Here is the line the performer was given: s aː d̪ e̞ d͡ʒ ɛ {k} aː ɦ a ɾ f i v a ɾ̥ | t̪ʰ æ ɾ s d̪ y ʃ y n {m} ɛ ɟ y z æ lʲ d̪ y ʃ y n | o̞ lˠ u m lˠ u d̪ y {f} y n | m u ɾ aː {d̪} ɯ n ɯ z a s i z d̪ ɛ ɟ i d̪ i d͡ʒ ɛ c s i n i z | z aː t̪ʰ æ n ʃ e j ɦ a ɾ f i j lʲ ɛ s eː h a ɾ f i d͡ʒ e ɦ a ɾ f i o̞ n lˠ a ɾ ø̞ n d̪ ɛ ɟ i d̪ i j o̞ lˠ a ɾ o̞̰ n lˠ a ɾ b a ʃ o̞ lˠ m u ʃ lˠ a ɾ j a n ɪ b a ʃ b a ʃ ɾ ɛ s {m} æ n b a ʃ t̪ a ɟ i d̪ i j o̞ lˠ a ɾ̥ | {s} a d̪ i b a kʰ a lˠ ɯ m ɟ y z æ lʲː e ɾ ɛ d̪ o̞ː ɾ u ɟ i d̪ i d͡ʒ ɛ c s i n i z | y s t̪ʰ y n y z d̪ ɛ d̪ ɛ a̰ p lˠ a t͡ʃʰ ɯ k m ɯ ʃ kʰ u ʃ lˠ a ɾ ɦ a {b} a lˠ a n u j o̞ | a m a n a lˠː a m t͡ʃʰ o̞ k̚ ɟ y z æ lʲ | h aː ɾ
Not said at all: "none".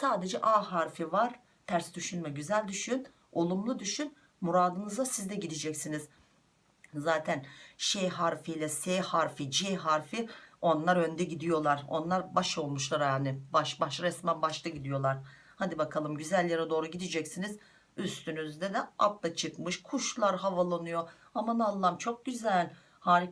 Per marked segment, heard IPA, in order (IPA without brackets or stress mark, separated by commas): ʔ, m, ʃ, d̪, m, h, v